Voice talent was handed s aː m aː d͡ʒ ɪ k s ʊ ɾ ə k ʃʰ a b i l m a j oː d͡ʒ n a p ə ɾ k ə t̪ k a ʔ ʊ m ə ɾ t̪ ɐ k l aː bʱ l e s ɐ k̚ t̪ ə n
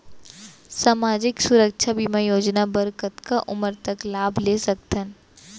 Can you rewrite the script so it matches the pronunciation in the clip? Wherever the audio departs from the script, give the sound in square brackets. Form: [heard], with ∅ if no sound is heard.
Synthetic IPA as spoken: s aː m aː d͡ʒ ɪ k s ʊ ɾ ə k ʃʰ a b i [∅] m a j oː d͡ʒ n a [b] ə ɾ k ə t̪ k a ʔ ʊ m ə ɾ t̪ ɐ k l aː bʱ l e s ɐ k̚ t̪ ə n